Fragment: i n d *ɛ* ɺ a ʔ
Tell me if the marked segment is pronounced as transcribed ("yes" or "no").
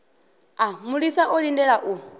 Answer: yes